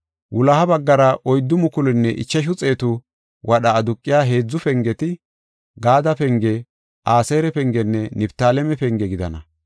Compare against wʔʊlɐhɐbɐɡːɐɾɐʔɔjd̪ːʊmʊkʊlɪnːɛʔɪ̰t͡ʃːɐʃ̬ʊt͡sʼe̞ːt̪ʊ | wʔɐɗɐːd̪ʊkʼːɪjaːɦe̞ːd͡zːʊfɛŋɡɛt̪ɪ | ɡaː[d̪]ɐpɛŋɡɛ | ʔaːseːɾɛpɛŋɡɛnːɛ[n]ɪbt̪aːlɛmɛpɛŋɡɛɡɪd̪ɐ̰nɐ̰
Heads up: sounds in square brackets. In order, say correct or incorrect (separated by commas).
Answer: correct, correct